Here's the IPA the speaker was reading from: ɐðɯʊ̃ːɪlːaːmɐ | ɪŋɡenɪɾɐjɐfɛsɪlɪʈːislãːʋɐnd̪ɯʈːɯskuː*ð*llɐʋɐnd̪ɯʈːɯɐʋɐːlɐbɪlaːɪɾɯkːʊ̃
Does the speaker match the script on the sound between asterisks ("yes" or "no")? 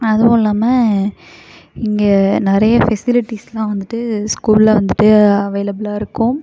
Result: no